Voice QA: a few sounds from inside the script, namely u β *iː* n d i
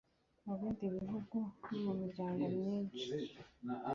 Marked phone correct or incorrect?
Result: correct